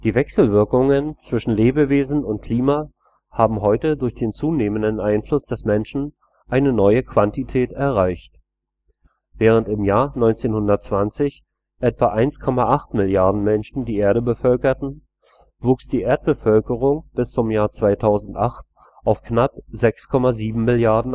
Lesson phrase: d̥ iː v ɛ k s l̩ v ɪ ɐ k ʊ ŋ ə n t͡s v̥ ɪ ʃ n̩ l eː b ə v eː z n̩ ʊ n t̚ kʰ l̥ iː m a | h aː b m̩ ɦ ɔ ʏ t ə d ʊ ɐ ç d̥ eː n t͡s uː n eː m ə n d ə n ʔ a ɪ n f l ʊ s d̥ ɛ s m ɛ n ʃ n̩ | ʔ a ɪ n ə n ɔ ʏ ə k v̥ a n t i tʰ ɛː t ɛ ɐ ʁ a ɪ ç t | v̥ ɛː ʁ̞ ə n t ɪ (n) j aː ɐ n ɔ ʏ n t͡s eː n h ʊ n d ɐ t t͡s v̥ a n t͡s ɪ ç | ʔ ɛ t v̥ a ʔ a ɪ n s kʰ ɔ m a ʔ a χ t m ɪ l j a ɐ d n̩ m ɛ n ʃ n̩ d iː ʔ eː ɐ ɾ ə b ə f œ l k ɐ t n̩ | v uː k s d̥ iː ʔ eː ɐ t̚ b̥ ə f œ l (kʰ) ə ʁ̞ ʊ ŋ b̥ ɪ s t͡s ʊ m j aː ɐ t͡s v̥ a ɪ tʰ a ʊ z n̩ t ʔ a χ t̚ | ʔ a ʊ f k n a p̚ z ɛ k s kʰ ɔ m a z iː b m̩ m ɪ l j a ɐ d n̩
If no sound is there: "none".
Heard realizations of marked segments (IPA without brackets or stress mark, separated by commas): m, k